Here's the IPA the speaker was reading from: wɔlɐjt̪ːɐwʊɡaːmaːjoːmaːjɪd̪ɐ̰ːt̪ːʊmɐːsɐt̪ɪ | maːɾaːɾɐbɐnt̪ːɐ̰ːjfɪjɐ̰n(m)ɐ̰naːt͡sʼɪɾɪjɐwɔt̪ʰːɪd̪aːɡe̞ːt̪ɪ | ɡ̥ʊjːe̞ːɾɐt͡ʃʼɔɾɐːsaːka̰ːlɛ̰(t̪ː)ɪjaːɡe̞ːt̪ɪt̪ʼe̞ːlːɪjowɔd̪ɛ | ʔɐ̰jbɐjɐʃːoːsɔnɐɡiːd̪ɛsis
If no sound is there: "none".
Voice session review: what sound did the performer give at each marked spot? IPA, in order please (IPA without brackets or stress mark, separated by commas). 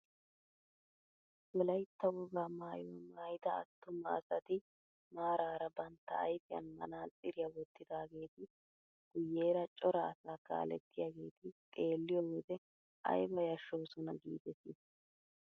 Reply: m, t̪ː